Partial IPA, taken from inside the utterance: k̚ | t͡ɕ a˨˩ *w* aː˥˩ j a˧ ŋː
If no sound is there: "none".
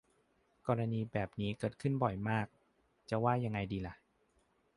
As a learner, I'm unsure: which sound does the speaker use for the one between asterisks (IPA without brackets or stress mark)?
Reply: w